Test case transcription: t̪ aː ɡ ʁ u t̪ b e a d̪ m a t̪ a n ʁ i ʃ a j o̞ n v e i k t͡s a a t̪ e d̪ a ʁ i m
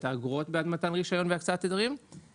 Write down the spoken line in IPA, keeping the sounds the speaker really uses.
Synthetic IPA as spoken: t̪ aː ɡ ʁ o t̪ b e a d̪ m a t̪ a n ʁ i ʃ a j o̞ n v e a k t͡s a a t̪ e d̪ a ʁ i m